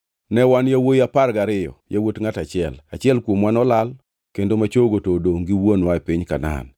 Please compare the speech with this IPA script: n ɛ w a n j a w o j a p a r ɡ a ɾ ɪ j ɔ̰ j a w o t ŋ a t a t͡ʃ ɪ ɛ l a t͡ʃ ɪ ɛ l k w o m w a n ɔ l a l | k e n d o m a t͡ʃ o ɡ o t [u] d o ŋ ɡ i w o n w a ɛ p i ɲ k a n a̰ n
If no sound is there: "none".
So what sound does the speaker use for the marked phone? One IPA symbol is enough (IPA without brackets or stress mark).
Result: o